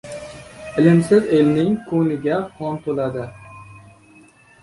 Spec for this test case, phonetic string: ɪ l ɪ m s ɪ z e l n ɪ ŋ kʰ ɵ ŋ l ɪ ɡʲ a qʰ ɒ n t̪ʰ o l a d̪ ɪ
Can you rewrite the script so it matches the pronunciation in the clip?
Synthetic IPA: ɪ l ɪ m s ɪ z e l n ɪ ŋ kʰ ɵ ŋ l ɪ ɡʲ a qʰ ɒ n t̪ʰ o l a d̪ ɪ